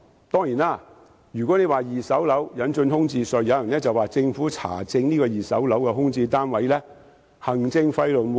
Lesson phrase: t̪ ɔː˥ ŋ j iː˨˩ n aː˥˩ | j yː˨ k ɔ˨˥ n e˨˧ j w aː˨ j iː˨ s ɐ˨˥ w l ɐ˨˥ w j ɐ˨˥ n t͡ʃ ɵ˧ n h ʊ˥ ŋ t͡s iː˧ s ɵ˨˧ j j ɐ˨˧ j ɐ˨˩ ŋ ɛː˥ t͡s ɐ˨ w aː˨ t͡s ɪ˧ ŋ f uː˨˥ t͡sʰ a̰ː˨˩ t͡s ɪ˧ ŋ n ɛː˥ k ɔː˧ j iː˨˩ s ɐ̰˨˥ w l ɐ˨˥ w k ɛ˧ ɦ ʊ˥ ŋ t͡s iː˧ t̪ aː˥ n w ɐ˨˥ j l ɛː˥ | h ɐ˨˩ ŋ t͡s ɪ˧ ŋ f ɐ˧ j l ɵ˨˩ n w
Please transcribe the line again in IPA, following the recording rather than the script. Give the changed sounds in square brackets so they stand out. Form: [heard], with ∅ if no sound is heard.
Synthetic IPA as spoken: t̪ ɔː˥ ŋ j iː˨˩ n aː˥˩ | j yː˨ k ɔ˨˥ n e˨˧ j w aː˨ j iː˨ s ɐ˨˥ w l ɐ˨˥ w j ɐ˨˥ n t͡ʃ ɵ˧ n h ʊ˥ ŋ t͡s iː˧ s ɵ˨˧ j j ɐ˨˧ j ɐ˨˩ [n] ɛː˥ t͡s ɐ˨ w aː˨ t͡s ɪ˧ ŋ f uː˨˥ t͡sʰ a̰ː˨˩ t͡s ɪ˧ ŋ n [iː˥] k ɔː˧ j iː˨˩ s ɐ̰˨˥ w l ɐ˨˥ w k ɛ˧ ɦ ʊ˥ ŋ t͡s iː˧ t̪ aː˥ n w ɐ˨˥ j l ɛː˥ | h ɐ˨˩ ŋ t͡s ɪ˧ ŋ f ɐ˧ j l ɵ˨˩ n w